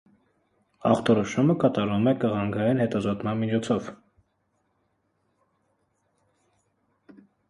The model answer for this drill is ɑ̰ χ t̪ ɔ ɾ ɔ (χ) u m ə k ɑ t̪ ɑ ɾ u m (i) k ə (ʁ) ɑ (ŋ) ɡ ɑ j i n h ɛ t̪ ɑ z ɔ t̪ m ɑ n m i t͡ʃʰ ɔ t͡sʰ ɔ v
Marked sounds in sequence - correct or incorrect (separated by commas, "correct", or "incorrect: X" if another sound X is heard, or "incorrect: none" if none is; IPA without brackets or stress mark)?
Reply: incorrect: ʃ, incorrect: ɛ, correct, correct